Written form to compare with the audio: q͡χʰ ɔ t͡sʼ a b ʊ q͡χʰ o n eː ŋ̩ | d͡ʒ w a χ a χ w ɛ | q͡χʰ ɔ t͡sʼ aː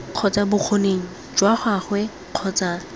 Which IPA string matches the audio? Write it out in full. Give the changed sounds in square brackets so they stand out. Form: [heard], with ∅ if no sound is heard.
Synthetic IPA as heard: q͡χʰ ɔ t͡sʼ a b ʊ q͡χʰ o n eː ŋ̩ | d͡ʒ w a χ a χ w ɛ | q͡χʰ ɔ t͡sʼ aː